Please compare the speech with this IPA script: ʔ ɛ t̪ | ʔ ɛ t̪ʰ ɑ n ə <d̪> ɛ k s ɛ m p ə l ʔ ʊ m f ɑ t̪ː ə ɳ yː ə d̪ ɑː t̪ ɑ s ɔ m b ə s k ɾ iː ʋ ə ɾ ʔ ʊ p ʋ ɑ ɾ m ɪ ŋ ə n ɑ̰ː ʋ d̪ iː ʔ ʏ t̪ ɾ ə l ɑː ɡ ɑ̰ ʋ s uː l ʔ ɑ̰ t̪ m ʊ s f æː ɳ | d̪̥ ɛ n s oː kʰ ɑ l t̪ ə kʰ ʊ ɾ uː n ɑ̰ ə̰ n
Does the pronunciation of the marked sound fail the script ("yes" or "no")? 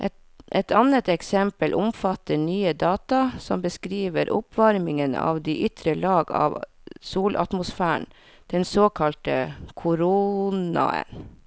yes